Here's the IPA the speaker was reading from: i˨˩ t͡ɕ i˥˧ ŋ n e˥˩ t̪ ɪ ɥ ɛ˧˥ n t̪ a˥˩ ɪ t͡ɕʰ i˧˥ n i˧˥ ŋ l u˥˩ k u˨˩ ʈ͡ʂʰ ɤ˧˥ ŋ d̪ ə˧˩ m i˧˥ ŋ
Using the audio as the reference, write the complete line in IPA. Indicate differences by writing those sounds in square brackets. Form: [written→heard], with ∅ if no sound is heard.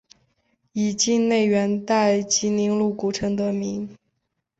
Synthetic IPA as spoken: i˨˩ t͡ɕ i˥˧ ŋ n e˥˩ [t̪→∅] ɪ ɥ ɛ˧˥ n t̪ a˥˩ ɪ [t͡ɕʰ→t͡ɕ] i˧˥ n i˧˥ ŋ l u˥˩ k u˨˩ ʈ͡ʂʰ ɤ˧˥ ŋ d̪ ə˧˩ m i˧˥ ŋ